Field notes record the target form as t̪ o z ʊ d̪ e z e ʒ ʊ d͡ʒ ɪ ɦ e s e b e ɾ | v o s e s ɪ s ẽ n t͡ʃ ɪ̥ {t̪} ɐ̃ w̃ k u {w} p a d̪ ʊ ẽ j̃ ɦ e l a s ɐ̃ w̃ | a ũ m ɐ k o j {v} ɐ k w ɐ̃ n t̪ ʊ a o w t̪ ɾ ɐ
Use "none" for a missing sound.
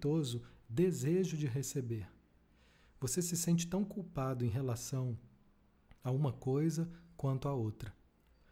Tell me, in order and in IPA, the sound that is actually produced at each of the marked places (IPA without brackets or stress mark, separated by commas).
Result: t̪, w, z